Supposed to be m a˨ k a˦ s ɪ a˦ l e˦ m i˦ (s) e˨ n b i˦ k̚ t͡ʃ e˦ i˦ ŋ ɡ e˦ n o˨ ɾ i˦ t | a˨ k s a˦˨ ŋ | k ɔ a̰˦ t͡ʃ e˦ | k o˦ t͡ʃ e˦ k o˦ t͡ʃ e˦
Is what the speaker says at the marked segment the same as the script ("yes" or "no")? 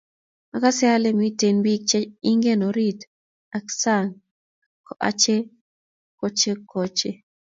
no